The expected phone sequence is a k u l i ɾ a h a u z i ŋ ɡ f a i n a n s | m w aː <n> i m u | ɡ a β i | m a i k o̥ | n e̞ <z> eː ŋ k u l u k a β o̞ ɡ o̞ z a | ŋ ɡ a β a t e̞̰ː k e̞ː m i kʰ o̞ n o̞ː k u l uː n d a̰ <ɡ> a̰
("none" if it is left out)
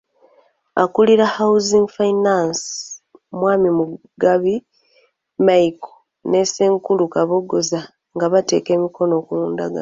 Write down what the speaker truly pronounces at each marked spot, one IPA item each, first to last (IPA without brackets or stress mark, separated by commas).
m, s, ɡ